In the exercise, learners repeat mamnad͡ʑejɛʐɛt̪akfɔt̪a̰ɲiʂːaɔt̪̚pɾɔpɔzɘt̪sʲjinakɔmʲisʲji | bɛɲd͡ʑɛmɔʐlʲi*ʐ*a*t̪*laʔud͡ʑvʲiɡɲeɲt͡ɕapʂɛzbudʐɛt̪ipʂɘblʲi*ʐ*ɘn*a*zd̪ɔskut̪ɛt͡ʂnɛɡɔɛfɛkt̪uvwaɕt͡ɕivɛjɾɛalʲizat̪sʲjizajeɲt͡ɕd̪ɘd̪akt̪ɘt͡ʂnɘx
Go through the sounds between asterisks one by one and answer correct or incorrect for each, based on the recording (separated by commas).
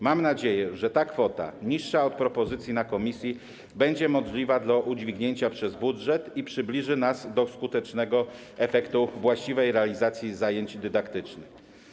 incorrect, incorrect, correct, correct